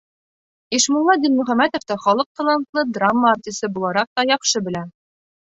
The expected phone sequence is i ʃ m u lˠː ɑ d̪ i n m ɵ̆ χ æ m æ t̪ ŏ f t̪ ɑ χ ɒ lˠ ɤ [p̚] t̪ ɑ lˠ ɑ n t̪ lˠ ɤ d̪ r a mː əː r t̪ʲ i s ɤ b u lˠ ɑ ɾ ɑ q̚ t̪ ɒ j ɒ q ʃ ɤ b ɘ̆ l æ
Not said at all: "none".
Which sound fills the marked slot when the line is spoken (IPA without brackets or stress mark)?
q̚